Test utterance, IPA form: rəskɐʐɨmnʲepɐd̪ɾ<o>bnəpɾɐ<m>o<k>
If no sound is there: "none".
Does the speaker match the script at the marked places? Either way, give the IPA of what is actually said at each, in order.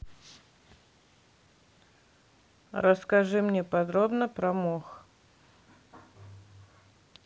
o, m, x

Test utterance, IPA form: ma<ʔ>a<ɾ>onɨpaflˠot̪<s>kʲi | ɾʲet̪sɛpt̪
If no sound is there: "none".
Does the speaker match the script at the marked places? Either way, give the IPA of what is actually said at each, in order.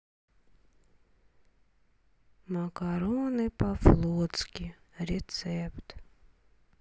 k, ɾ, s

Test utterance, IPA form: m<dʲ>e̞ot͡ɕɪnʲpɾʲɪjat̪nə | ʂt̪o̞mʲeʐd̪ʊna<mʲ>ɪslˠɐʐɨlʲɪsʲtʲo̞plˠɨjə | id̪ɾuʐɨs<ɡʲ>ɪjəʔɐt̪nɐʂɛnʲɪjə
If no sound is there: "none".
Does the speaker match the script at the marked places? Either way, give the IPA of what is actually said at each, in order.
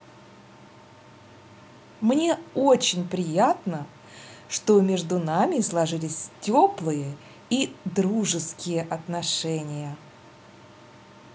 nʲ, mʲ, kʲ

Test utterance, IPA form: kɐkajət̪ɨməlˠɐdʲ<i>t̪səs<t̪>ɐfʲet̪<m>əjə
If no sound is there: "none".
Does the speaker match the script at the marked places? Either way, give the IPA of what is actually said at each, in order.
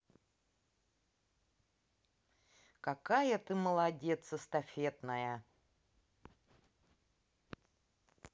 e, t̪, n

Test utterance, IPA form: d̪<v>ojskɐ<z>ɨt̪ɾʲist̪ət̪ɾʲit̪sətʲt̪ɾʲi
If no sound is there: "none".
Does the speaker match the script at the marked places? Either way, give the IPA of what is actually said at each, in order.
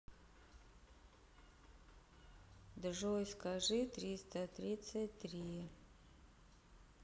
ʐ, ʐ

